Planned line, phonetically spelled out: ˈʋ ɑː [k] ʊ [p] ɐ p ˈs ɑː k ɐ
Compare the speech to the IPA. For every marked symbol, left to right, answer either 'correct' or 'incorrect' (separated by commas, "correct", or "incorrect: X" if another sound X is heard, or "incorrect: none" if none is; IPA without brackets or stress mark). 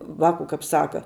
correct, incorrect: k